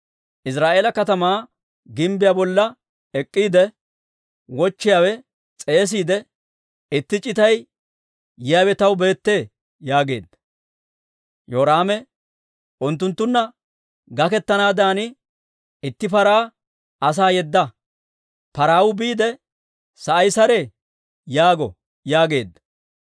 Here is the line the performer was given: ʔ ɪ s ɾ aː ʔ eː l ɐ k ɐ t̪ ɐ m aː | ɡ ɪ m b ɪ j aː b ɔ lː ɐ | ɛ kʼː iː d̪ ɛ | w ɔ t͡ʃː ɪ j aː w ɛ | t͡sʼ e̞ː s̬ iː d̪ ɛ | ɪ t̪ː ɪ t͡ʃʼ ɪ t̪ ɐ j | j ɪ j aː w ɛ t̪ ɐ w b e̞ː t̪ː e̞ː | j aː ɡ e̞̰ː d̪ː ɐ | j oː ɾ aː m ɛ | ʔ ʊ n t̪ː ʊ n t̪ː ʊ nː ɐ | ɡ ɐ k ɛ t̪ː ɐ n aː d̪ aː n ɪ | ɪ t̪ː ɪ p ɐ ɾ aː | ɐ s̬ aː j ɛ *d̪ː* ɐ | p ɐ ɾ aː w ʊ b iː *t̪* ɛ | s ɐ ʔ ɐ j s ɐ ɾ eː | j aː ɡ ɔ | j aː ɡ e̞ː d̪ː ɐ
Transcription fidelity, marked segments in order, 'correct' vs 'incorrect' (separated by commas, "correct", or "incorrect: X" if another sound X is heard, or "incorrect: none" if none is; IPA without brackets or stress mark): correct, incorrect: d̪